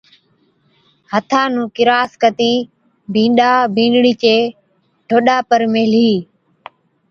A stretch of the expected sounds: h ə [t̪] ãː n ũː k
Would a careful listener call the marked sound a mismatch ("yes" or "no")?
yes